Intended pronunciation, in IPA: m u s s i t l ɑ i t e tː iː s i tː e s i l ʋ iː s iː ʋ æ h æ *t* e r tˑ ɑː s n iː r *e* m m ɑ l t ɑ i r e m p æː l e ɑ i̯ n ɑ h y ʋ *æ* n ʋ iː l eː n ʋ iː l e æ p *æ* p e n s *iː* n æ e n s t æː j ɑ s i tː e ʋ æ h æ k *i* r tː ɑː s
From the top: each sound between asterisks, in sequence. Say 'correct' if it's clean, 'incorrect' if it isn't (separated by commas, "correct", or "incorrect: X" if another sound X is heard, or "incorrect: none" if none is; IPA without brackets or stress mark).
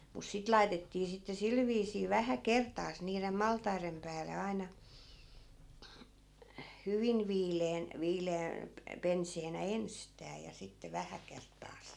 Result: incorrect: k, correct, incorrect: i, incorrect: e, incorrect: eː, incorrect: e